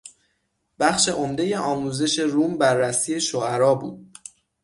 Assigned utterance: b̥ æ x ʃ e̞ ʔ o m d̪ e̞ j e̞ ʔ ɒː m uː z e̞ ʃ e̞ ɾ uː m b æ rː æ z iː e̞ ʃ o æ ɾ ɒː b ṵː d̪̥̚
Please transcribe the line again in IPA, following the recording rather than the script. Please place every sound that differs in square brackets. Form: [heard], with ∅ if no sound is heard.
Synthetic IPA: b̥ æ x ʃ e̞ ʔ o m d̪ e̞ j e̞ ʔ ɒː m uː z e̞ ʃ e̞ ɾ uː m b æ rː æ [s] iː e̞ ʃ o æ ɾ ɒː b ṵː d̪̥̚